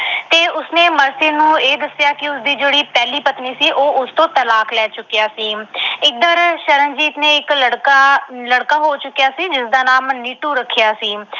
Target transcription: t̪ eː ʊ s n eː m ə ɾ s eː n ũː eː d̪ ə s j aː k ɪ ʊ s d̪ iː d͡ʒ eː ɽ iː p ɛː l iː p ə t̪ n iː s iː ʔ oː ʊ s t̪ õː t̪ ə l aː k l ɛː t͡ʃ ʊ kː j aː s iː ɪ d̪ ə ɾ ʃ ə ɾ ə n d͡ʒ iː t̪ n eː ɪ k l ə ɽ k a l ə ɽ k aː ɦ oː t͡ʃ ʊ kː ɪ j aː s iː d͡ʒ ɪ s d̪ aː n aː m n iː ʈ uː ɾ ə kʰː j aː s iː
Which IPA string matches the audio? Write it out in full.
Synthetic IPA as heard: t̪ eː ʊ s n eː m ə ɾ s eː n ũː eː d̪ ə s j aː k ɪ ʊ s d̪ iː d͡ʒ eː ɽ iː p ɛː l iː p ə t̪ n iː s iː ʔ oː ʊ s t̪ õː t̪ ə l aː k l ɛː t͡ʃ ʊ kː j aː s iː ɪ d̪ ə ɾ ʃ ə ɾ ə n d͡ʒ iː t̪ n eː ɪ k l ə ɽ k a l ə ɽ k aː ɦ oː t͡ʃ ʊ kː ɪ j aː s iː d͡ʒ ɪ s d̪ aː n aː m n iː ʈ uː ɾ ə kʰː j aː s iː